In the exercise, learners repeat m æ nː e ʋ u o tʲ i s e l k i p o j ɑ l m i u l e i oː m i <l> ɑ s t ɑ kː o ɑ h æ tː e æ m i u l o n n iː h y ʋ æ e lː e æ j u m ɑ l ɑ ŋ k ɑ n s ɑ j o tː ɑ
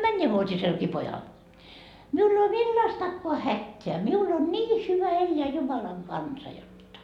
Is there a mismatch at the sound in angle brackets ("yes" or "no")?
yes